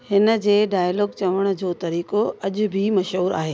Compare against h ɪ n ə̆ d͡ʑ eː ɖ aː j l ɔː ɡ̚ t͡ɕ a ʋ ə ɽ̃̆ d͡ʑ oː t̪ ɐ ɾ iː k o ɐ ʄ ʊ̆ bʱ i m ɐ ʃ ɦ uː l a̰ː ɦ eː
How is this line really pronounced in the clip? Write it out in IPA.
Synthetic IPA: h ɪ n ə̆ d͡ʑ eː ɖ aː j l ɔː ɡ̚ t͡ɕ ɐ ʋ ə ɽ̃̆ d͡ʑ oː t̪ ɐ ɾ iː k o ɐ ʄ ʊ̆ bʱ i m ɐ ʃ ɦ uː ɾ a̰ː ɦ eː